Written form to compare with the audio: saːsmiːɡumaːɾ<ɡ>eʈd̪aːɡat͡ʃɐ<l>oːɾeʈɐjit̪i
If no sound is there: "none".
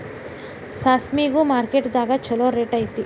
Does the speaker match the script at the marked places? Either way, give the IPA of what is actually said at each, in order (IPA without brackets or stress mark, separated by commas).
k, l